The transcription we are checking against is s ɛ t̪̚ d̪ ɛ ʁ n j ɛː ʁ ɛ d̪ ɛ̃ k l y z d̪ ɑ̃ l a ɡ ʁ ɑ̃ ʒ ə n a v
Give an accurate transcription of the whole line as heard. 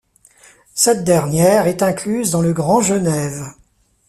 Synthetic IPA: s ɛ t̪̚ d̪ ɛ ʁ n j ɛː ʁ ɛ t̪ ɛ̃ k l y z d̪ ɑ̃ l ə ɡ ʁ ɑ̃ ʒ ə n ɛ v

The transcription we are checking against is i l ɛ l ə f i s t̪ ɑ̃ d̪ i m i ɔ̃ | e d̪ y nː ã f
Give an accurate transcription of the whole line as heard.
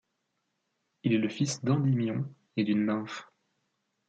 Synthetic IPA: i l ɛ l ə f i s d̪ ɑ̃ d̪ i m j ɔ̃ | e d̪ y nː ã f

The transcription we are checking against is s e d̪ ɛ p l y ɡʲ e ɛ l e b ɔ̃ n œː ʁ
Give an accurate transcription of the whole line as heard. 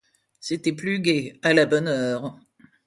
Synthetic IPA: s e t̪ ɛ p l y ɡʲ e a l a b ɔ n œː ʁ

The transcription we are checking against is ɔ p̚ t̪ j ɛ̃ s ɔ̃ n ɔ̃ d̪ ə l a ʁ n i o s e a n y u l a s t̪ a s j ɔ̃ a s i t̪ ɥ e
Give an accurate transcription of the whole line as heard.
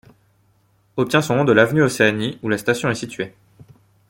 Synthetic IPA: ɔ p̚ t̪ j ɛ̃ s ɔ̃ n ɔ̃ d̪ ə l a v n y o s e a n i u l a s t̪ a s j ɔ̃ ɛ s i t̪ ɥ e

